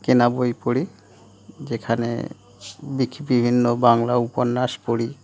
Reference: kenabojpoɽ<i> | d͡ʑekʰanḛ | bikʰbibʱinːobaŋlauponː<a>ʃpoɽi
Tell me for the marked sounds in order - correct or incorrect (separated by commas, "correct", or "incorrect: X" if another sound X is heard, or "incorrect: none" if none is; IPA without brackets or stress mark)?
correct, correct